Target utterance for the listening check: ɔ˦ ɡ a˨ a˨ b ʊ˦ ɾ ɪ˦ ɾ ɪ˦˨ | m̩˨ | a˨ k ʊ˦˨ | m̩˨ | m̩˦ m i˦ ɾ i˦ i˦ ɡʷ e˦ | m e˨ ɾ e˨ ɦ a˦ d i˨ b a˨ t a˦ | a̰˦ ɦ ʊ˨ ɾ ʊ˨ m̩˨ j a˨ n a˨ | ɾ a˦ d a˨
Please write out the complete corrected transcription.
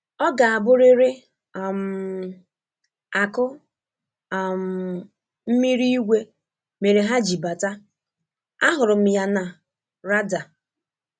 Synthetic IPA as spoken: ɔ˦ ɡ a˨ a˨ b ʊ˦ ɾ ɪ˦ ɾ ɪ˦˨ | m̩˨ | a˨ k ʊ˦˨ | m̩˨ | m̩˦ m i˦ ɾ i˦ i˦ ɡʷ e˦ | m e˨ ɾ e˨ ɦ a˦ d͡ʒ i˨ b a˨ t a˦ | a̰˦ ɦ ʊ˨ ɾ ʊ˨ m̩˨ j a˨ n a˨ | ɾ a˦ d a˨

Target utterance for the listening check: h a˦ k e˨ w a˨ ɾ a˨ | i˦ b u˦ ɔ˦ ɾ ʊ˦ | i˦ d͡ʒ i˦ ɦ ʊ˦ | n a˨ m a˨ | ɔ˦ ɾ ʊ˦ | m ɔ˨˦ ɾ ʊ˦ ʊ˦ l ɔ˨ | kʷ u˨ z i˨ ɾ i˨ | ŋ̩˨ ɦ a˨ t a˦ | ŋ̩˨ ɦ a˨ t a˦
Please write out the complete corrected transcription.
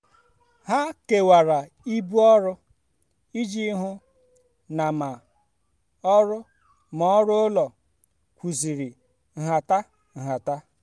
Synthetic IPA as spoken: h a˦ k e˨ w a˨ ɾ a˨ | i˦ b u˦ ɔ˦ ɾ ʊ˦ | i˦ d͡ʒ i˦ ɦ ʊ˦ | n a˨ m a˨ | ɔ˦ ɾ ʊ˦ | m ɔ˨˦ ɾ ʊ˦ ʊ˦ l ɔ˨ | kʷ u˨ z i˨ ɾ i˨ | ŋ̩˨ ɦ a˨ t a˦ | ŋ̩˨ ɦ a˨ t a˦

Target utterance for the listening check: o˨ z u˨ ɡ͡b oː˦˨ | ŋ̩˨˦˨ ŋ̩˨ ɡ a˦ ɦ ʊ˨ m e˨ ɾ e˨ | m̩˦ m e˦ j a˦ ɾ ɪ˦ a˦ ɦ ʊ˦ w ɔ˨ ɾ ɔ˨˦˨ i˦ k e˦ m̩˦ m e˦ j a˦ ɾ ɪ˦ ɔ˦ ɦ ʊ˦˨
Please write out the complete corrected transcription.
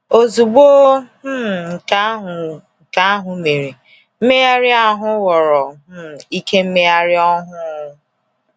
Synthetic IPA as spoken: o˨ z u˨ ɡ͡b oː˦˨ | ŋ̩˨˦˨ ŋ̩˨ k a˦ ɦ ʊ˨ m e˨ ɾ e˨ | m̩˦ m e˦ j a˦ ɾ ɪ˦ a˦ ɦ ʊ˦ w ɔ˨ ɾ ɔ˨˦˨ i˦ k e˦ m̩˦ m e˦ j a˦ ɾ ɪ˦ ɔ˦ ɦ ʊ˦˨

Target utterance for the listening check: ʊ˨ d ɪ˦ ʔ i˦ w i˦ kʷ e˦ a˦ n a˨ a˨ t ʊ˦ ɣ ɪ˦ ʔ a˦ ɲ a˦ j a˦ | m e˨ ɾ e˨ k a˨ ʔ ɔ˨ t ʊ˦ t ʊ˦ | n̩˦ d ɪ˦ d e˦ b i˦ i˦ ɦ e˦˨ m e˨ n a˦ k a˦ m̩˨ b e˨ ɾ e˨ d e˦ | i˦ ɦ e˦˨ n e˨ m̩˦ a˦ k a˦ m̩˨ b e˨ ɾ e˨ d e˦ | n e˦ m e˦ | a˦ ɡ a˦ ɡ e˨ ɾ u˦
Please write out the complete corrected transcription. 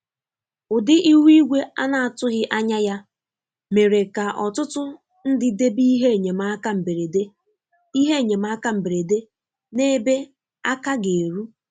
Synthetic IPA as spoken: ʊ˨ d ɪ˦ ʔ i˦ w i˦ ɡʷ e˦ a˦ n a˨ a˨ t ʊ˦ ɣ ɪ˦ ʔ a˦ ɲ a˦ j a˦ | m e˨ ɾ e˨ k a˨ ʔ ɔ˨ t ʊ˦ t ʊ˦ | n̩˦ d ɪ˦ d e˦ b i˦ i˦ ɦ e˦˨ ɲ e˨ m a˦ k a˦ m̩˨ b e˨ ɾ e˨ d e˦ | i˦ ɦ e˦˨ ɲ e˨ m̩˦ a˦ k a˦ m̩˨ b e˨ ɾ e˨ d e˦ | n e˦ b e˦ | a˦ k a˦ ɡ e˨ ɾ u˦

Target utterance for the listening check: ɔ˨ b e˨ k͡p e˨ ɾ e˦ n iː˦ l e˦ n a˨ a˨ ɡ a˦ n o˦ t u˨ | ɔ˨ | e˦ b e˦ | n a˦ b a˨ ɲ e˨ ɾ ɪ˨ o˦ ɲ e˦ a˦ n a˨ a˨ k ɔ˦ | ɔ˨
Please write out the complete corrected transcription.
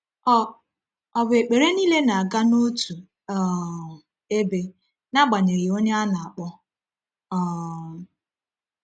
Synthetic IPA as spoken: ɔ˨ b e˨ k͡p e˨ ɾ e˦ n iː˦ l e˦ n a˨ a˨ ɡ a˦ n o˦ t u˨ | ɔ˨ | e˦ b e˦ | n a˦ ɡ͡b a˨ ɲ e˨ ɾ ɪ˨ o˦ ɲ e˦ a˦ n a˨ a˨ k͡p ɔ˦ | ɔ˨

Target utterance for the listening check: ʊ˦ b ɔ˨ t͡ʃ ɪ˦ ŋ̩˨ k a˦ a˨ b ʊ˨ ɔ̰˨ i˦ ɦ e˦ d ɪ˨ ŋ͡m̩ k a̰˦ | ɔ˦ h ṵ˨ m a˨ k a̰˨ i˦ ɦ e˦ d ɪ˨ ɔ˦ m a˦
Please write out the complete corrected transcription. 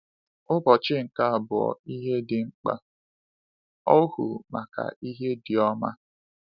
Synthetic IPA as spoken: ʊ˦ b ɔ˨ t͡ʃ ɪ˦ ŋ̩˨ k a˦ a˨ b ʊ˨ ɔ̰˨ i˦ ɦ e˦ d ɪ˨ ŋ͡m̩ k͡p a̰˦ | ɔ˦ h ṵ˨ m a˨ k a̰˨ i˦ ɦ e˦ d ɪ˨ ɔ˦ m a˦

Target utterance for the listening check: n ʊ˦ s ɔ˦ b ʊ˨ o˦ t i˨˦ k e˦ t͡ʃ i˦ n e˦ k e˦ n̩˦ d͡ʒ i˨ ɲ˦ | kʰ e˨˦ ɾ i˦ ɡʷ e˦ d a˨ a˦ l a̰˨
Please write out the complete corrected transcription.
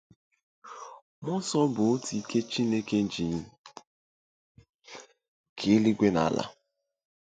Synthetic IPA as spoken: m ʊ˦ s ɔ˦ b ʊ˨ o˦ t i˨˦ k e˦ t͡ʃ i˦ n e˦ k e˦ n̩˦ d͡ʒ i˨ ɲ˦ | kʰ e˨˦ l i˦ ɡʷ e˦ n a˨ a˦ l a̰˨

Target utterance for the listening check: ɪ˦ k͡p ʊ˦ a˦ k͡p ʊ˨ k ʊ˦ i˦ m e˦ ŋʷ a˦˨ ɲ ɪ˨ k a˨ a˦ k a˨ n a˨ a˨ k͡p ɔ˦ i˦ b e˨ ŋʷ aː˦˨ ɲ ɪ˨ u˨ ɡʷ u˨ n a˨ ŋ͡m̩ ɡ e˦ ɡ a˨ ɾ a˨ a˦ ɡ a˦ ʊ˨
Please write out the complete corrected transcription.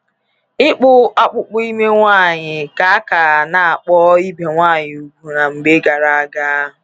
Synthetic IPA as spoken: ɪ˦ k͡p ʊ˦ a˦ k͡p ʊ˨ k͡p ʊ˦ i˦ m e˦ ŋʷ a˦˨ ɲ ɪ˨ k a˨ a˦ k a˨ n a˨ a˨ k͡p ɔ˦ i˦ b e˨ ŋʷ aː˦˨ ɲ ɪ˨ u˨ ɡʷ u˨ n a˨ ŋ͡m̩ ɡ͡b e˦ ɡ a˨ ɾ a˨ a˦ ɡ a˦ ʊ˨

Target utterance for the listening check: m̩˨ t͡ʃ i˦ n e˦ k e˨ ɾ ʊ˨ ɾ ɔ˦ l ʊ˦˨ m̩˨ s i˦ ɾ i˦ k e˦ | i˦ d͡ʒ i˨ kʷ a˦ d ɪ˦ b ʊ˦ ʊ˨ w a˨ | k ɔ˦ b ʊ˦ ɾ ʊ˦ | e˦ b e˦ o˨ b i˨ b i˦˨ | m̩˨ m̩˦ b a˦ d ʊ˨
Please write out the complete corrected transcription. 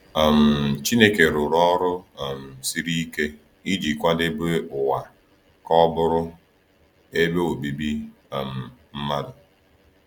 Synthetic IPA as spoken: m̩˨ t͡ʃ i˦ n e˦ k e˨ ɾ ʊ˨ ɾ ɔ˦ ɾ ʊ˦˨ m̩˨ s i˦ ɾ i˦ k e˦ | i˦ d͡ʒ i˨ kʷ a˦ d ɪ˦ b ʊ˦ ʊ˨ w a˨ | k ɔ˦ b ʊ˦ ɾ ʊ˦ | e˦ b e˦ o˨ b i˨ b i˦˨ | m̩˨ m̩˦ m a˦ d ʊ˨

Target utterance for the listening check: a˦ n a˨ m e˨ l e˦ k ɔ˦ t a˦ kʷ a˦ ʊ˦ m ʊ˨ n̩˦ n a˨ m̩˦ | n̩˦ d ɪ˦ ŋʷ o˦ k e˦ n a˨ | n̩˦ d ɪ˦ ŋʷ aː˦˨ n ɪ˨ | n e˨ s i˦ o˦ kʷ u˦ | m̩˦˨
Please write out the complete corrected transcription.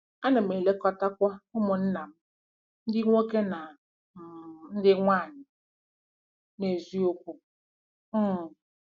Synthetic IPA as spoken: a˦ n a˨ m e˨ l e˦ k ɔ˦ t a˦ kʷ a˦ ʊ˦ m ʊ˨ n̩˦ n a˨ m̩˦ | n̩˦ d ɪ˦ ŋʷ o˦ k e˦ n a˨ | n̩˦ d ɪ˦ ŋʷ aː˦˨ ɲ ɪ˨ | n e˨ z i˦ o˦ kʷ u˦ | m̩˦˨

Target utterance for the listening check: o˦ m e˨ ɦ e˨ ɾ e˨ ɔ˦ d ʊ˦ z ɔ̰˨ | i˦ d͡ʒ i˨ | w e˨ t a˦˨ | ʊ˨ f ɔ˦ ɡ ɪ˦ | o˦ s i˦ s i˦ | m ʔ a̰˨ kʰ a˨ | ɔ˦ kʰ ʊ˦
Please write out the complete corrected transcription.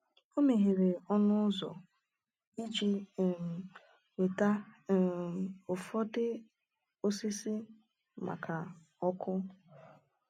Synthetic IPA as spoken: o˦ m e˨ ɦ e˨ ɾ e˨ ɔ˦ n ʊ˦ z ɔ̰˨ | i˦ d͡ʒ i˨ | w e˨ t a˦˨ | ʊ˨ f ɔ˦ d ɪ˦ | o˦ s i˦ s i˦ | m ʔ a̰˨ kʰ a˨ | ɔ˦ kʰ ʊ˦

